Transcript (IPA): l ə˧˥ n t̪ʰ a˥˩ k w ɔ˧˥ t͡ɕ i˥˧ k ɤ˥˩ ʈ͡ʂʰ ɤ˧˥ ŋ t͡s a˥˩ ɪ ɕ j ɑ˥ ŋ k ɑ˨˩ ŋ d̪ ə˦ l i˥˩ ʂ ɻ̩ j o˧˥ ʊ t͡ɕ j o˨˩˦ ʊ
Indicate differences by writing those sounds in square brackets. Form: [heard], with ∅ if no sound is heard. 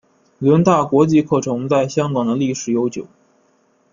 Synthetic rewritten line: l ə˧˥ n [t̪] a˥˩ k w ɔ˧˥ t͡ɕ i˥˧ [kʰ] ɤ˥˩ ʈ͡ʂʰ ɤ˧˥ ŋ t͡s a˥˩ ɪ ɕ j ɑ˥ ŋ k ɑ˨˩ ŋ d̪ ə˦ l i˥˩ ʂ ɻ̩ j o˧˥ ʊ t͡ɕ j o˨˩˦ ʊ